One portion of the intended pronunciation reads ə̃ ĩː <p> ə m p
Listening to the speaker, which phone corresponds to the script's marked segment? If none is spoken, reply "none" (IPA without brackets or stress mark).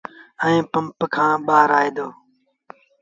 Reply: p